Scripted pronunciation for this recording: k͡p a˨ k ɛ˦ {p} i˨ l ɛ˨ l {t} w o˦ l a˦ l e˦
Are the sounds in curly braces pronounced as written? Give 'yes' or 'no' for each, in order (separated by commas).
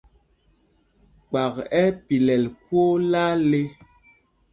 yes, no